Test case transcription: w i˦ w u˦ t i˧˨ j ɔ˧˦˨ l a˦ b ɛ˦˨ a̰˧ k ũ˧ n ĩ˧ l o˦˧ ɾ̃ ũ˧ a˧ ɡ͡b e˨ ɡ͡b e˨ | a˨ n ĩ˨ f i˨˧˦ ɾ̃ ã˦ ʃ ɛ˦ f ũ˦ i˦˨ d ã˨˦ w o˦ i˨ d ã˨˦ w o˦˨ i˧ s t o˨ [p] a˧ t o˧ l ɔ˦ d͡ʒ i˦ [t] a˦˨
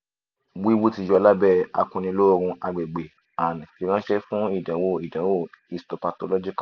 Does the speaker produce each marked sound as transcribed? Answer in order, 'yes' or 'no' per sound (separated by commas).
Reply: yes, no